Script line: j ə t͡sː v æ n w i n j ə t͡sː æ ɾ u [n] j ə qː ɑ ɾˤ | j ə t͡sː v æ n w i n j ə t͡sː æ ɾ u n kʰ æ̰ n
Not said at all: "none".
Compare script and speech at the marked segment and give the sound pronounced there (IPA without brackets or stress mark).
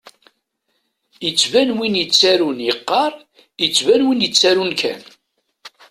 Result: n